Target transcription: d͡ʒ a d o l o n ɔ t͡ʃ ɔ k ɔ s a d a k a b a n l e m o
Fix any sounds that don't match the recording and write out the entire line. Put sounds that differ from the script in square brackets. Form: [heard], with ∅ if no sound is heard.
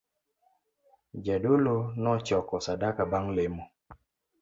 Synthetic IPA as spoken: d͡ʒ a d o l o n ɔ t͡ʃ ɔ k ɔ s a d a k a b a [ŋ] l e m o